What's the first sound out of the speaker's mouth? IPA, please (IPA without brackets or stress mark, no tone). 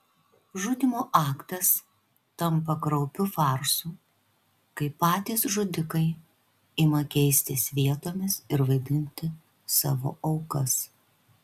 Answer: ʒ